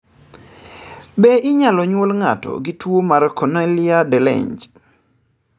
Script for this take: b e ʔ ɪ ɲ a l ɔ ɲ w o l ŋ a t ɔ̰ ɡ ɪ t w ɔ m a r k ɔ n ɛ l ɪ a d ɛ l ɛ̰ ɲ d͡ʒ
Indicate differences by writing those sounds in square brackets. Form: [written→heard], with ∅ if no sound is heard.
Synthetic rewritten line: b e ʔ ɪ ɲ a l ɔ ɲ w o l ŋ a t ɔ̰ ɡ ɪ t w [ɔ→o] m a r k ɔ n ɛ l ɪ a d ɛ l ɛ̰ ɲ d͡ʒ

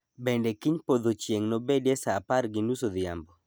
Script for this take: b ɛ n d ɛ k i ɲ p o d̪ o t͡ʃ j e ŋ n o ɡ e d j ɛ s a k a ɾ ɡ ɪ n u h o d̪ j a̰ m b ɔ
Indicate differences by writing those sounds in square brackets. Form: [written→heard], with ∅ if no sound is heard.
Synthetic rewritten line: b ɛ n d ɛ k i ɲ p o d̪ o t͡ʃ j e ŋ n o [ɡ→b] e d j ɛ s a [k→p] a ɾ ɡ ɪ n u [h→s] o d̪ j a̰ m b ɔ

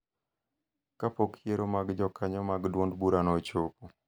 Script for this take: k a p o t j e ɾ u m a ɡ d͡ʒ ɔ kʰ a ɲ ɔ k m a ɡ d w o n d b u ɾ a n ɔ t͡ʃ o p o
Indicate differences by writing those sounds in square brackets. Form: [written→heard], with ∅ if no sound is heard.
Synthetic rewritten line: k a p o [t→k] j e ɾ [u→o] m a ɡ d͡ʒ ɔ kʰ a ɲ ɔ [k→∅] m a ɡ d w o n d b u ɾ a n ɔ t͡ʃ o p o

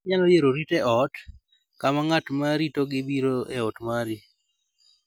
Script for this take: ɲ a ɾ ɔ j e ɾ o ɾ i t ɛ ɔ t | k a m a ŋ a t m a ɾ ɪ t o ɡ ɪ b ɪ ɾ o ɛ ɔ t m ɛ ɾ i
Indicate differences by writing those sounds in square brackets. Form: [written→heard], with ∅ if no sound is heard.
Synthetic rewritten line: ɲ a [ɾ→l] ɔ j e ɾ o ɾ i t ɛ ɔ t | k a m a ŋ a t m a ɾ [ɪ→i] t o ɡ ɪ b [ɪ→i] ɾ o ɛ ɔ t m [ɛ→a] ɾ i

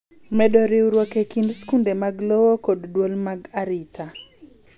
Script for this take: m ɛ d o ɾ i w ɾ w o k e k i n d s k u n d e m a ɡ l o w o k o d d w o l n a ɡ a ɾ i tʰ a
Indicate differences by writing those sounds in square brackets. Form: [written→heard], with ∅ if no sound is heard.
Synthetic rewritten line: m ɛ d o ɾ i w ɾ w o k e k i n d s k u n d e m a ɡ l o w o k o d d w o l [n→m] a ɡ a ɾ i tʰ a

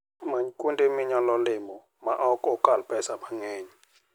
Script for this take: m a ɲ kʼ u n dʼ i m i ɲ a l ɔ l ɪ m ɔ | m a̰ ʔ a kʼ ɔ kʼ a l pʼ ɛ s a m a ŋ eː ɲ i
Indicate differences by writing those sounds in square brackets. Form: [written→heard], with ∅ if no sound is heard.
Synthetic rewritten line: m a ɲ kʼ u n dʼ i m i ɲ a l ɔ l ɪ m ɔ | m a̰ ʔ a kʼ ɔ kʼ a l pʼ ɛ s a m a ŋ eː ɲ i

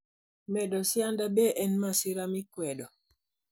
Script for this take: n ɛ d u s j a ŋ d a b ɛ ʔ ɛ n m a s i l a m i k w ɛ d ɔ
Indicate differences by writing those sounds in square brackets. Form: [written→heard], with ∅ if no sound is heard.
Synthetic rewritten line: [n→m] ɛ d [u→ɔ] s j a [ŋ→n] d a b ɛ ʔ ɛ n m a s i [l→ɾ] a m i k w ɛ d ɔ

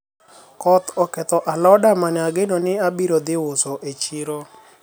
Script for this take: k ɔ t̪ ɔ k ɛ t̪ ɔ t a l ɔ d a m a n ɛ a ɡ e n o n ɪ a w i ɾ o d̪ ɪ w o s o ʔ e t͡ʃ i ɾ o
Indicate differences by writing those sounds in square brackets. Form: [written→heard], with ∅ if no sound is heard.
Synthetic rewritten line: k ɔ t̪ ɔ k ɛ t̪ ɔ [t→ʔ] a l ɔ d a m a n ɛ a ɡ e n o n ɪ a [w→b] i ɾ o d̪ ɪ w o s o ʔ e t͡ʃ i ɾ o

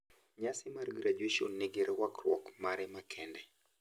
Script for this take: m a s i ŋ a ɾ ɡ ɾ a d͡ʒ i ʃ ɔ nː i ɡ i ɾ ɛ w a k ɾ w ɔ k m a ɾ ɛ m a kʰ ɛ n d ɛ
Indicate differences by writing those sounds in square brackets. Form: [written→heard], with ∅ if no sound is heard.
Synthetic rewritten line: [m→ɲ] a s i [ŋ→m] a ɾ ɡ ɾ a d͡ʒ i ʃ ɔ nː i ɡ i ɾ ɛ w a k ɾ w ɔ k m a ɾ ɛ m a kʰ ɛ n d ɛ

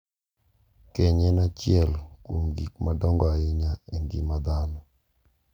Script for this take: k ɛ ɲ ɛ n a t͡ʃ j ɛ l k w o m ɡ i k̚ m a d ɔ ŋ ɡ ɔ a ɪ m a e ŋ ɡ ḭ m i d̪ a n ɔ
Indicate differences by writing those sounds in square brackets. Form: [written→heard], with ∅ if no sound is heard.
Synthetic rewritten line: k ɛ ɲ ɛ n a t͡ʃ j ɛ l k w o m ɡ i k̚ m a d ɔ ŋ ɡ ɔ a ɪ [m→ɲ] a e ŋ ɡ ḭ m [i→a] d̪ a n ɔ

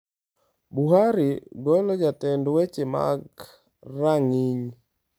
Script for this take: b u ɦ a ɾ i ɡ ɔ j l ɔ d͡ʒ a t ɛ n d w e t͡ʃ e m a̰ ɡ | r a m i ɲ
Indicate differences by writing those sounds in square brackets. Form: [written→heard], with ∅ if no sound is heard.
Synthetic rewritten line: b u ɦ a ɾ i ɡ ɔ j l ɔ d͡ʒ a t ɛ n d w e t͡ʃ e m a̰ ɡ | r a [m→ŋ] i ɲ

